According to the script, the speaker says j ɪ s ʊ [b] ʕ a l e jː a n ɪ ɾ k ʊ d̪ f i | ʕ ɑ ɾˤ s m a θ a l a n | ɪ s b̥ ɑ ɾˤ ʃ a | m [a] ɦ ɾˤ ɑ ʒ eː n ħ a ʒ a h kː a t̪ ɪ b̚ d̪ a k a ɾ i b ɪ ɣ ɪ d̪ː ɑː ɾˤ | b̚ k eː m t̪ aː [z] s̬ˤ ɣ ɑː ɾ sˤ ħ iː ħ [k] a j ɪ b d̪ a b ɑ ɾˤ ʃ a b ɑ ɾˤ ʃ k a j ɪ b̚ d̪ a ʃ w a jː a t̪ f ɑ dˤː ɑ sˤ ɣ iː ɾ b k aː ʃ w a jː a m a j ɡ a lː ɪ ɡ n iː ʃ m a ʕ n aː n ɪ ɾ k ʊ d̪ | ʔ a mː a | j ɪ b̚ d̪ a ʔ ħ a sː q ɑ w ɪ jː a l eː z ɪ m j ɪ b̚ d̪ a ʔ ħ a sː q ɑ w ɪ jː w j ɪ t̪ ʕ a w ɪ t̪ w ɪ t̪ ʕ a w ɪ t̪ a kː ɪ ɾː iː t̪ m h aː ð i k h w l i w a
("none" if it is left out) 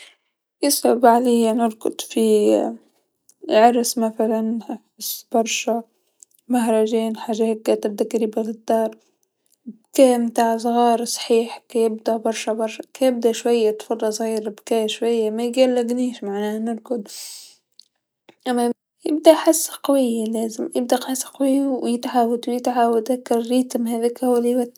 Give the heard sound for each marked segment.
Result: b, a, ʕ, k

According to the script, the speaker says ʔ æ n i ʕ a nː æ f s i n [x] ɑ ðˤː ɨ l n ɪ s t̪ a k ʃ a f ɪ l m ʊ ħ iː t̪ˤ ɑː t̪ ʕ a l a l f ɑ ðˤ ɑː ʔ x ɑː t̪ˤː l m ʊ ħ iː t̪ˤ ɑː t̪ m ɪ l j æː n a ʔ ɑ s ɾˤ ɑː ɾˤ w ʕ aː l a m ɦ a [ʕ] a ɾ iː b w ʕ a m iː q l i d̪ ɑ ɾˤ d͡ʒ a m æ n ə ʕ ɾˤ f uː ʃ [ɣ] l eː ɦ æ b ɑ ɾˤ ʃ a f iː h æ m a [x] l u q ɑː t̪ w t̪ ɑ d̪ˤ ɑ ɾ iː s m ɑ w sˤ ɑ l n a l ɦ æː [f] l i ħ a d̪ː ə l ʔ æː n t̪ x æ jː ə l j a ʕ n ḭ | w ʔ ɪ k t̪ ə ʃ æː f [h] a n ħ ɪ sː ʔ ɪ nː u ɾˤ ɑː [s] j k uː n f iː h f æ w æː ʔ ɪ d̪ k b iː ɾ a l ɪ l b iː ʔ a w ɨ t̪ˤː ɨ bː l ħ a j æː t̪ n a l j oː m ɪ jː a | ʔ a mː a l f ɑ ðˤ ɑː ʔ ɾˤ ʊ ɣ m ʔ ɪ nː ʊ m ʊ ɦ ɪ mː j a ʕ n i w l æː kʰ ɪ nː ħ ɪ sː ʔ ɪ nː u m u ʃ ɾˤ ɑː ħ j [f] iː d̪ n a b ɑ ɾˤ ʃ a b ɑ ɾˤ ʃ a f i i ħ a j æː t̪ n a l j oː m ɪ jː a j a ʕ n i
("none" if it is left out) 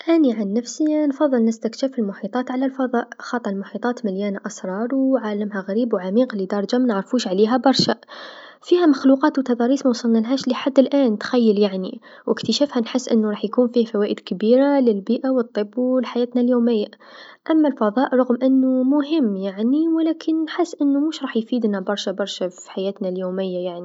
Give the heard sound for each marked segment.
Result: f, ɣ, ʕ, x, ʃ, h, ħ, f

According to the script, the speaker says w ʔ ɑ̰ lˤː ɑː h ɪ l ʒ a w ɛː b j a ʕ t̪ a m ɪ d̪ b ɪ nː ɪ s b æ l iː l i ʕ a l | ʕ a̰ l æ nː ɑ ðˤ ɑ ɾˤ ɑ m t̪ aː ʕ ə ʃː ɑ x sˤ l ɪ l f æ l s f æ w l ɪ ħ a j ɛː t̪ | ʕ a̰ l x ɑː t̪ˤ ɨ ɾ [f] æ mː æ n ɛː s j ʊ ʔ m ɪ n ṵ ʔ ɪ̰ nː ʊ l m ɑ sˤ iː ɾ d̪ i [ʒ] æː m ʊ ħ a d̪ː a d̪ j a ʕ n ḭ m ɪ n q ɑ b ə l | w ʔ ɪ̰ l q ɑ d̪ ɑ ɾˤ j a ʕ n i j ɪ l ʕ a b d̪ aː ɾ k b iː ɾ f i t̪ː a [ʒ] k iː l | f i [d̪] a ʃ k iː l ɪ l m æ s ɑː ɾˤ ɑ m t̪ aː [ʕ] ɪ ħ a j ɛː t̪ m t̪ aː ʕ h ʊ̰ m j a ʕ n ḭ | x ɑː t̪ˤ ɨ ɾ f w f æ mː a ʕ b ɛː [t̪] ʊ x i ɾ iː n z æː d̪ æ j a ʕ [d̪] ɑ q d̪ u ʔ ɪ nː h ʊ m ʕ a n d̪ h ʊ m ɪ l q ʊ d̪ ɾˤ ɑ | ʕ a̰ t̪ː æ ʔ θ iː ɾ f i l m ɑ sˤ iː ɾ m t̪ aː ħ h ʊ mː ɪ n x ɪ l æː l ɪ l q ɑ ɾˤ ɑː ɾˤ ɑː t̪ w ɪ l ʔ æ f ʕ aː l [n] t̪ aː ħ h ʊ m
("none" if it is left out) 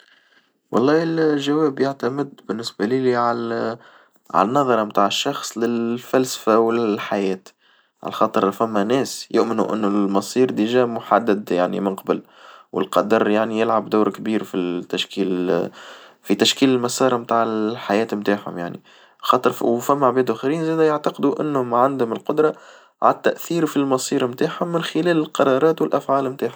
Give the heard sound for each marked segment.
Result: f, ʒ, ʃ, t̪, ʕ, d̪, t̪, m

